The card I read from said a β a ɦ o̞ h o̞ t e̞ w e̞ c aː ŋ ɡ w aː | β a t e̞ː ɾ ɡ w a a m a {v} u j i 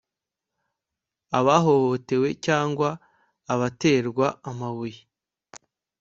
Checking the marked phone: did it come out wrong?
yes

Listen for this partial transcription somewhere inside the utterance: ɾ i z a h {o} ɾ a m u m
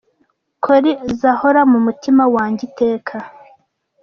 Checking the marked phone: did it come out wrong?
no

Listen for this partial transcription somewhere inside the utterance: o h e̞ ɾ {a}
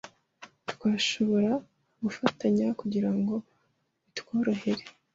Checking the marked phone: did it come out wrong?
yes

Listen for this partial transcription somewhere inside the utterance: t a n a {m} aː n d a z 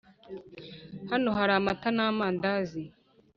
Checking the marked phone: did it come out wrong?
no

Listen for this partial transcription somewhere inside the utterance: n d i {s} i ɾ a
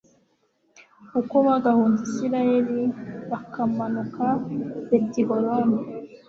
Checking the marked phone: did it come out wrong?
no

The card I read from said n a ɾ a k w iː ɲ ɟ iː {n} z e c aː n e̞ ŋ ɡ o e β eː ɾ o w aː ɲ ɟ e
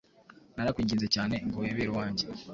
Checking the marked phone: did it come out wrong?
no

